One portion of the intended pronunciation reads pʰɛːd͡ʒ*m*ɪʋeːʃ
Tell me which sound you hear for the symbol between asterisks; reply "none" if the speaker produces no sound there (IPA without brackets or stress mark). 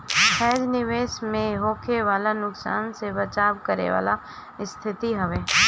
n